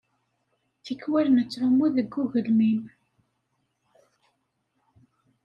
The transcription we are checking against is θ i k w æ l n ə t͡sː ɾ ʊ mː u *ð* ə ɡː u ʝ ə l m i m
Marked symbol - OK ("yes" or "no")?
yes